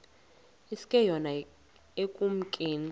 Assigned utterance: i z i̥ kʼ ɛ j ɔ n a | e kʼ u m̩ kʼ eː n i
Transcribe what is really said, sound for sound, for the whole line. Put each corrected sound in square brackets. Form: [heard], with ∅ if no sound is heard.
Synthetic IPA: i [s] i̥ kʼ ɛ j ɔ n a | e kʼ u m̩ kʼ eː n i

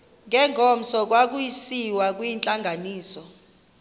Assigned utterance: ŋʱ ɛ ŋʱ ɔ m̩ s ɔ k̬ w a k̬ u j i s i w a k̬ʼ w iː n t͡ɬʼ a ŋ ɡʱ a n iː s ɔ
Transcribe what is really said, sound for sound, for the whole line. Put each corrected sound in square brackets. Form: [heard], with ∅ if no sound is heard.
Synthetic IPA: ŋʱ ɛ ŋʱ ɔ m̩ s ɔ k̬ w a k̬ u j i s i w a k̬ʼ w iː n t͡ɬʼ a ŋ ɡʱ a n iː s ɔ

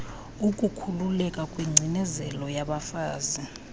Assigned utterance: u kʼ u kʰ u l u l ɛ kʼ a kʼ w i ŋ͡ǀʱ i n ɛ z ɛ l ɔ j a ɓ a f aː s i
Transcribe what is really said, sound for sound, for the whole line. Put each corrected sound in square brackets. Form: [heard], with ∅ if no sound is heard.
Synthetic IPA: u kʼ u kʰ u l u l ɛ kʼ a kʼ w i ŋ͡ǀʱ i n ɛ z ɛ l ɔ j a ɓ a f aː [z] i

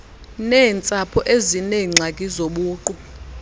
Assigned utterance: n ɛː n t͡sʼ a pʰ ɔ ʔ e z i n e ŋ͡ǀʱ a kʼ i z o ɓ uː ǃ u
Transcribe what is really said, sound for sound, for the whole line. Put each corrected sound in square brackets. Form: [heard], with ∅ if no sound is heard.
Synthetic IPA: n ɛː n t͡sʼ a pʰ ɔ ʔ e z i n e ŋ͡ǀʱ a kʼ i z o ɓ uː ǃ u

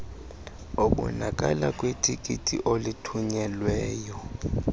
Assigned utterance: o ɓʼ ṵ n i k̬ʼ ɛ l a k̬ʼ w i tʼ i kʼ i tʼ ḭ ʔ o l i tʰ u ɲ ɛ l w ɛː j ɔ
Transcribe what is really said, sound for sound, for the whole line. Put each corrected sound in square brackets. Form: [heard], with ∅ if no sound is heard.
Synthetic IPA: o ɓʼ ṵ n [a] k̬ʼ [a] l a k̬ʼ w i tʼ i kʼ i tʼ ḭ ʔ o l i tʰ u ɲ ɛ l w ɛː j ɔ

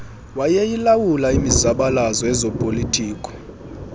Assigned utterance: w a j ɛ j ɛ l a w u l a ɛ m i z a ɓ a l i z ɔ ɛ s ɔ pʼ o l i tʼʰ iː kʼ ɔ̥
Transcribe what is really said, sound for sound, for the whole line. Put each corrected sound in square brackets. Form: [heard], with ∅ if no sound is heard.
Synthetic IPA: w a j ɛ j [i] l a w u l a [i] m i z a ɓ a l [a] z ɔ ɛ [z] ɔ pʼ o l i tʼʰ iː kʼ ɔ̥

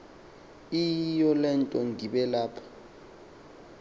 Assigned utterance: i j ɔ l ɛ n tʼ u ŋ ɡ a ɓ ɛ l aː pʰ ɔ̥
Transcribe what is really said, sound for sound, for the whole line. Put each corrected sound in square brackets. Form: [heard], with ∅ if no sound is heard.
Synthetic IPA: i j ɔ l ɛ n tʼ [ɔ] ŋ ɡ [i] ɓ ɛ l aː pʰ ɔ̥

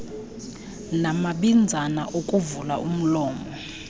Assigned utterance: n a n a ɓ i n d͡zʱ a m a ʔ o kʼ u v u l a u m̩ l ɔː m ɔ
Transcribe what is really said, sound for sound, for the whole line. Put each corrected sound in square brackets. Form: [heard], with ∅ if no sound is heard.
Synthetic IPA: n a [m] a ɓ i n d͡zʱ a [n] a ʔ o kʼ u v u l a u m̩ l ɔː m ɔ

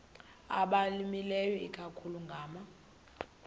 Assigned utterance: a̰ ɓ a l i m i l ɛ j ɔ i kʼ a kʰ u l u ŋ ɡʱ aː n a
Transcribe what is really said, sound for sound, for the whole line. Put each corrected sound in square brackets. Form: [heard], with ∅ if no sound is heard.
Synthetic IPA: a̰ ɓ a l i m i l ɛ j ɔ i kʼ a kʰ u l u ŋ ɡʱ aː [m] a

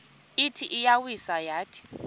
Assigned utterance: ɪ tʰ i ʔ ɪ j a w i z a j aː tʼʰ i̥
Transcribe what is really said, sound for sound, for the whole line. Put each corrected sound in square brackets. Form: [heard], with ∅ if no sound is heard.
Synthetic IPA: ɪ tʰ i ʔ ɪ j a w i [s] a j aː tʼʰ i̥

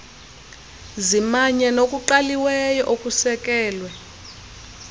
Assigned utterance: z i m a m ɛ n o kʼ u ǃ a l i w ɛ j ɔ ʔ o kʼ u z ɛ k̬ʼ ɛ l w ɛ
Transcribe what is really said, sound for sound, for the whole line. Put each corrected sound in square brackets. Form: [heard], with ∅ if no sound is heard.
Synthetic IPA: z i m a [ɲ] ɛ n o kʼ u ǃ a l i w ɛ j ɔ ʔ o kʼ u [s] ɛ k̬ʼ [ɛː] l w ɛ

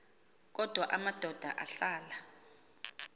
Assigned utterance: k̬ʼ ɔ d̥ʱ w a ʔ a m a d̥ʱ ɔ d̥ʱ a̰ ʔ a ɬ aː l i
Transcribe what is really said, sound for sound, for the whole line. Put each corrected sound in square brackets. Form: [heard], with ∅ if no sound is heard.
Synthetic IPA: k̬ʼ ɔ d̥ʱ w a ʔ a m a d̥ʱ ɔ d̥ʱ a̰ ʔ a ɬ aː l [a]

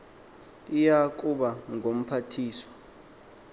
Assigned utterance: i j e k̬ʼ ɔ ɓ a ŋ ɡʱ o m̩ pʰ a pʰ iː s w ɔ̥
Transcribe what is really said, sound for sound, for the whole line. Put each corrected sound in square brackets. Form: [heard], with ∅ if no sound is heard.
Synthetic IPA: i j [a] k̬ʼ [u] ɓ a ŋ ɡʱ o m̩ pʰ a [tʰ] iː s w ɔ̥

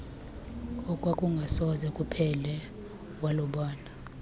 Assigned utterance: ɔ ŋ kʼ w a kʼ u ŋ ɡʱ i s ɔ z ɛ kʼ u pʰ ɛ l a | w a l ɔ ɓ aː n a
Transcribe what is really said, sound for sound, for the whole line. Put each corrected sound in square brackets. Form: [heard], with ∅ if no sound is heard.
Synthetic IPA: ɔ [∅] kʼ w a kʼ u ŋ ɡʱ [a] s ɔ z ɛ kʼ u pʰ ɛ l [ɛ] | w a l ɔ ɓ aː n a

